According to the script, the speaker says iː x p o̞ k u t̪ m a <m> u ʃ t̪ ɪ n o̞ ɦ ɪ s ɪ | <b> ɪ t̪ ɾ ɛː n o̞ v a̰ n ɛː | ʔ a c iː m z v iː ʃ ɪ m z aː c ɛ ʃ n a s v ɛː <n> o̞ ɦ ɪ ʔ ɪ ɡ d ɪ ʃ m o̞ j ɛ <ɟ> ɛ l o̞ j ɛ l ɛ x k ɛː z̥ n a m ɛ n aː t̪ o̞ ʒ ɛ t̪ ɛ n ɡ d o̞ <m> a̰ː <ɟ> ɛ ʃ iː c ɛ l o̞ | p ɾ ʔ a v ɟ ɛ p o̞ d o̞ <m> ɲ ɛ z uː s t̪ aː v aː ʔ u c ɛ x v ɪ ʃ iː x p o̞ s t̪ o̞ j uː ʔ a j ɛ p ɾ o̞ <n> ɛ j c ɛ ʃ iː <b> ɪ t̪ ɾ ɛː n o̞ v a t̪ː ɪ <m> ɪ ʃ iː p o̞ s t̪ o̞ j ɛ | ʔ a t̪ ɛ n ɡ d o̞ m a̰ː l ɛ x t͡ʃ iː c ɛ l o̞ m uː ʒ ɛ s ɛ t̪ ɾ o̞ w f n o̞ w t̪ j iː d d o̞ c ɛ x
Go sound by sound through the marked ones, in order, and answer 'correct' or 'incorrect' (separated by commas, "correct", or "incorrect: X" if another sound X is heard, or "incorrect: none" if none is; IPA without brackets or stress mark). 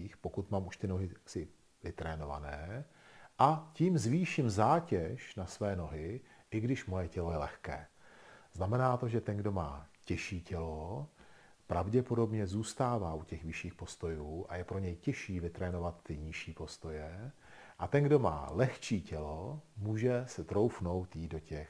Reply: correct, incorrect: v, correct, incorrect: c, correct, incorrect: c, incorrect: b, incorrect: ɲ, incorrect: v, incorrect: ɲ